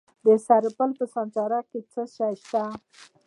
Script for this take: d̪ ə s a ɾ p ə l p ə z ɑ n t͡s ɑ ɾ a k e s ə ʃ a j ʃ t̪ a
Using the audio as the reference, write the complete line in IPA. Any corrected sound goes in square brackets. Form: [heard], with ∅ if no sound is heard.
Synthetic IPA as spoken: d̪ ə s a ɾ p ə l p ə [s] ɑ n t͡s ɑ ɾ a k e [t͡s] ə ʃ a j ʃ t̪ a